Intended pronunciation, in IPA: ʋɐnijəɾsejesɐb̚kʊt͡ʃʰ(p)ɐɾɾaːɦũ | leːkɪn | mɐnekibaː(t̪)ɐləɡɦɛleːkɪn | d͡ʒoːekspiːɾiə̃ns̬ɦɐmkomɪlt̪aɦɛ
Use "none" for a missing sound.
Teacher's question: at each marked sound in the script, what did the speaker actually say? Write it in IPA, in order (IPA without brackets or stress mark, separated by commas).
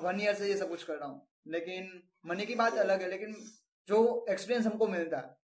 k, t̪